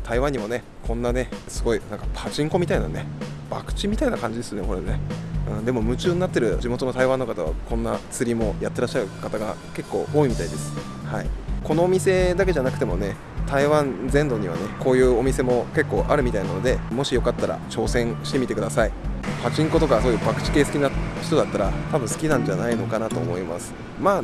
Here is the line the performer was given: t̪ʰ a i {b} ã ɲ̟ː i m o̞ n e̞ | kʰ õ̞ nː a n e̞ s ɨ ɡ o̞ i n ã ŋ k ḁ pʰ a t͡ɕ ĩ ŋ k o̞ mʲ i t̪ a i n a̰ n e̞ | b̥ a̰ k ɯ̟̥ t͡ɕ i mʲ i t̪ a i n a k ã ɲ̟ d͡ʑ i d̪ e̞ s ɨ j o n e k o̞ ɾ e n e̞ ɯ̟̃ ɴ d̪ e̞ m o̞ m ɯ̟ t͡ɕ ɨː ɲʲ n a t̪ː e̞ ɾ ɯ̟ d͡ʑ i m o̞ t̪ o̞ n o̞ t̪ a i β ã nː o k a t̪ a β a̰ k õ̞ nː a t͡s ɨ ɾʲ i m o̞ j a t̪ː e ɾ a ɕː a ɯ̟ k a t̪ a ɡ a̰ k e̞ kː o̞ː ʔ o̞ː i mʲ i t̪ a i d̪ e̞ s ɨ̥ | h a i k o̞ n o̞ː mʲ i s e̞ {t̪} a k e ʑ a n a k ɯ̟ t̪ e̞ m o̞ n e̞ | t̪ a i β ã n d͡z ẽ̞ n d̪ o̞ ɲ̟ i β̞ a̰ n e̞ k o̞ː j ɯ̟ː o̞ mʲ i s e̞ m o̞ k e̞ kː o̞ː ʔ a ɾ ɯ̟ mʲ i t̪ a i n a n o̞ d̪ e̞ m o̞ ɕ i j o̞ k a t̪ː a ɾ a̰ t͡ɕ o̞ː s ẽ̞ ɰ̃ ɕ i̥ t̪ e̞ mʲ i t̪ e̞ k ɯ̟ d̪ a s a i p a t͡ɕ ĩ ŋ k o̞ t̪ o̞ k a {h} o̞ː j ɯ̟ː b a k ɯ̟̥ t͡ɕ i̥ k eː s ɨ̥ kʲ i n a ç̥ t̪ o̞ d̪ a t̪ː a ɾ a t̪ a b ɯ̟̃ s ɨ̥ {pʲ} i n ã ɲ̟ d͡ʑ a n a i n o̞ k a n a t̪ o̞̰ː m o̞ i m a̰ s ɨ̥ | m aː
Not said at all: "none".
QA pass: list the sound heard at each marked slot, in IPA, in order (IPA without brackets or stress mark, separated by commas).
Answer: β, d̪, s, kʲ